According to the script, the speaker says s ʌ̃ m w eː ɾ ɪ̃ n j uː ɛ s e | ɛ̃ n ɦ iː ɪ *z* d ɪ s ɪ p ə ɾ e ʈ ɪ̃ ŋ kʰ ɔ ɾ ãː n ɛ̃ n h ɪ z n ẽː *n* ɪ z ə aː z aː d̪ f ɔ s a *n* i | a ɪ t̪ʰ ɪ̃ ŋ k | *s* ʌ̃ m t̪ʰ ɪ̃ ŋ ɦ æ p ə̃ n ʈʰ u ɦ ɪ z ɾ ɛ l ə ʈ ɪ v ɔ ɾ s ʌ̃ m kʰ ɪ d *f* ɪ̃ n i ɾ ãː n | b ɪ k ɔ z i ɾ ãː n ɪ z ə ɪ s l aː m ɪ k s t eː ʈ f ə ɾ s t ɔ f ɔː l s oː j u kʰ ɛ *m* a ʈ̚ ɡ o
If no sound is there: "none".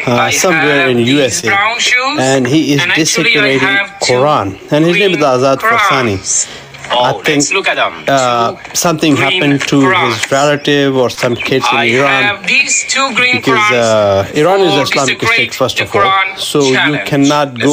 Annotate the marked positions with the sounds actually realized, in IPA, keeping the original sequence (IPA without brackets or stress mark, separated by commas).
z, m, n, s, s, n